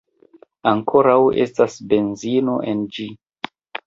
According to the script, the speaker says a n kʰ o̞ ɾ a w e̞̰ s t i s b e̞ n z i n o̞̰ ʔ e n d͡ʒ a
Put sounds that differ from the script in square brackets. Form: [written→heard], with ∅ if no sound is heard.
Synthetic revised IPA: a [n→ŋ] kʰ o̞ ɾ a w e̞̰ s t [i→a] s b e̞ n z i n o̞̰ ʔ e n d͡ʒ [a→i]